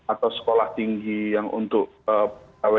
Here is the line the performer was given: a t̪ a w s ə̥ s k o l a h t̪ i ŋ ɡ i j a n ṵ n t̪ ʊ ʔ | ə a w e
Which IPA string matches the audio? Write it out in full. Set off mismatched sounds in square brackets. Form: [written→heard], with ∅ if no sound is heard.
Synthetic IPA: a t̪ a w s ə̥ [s→∅] k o l a h t̪ i ŋ ɡ i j a [n→ŋ] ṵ n t̪ ʊ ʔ | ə a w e